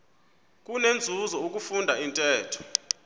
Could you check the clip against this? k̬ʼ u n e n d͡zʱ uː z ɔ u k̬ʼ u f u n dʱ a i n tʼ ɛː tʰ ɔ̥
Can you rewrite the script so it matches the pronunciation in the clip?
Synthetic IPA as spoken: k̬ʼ u n e n d͡zʱ u z ɔ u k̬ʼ u f u n dʱ a i n tʼ ɛː tʰ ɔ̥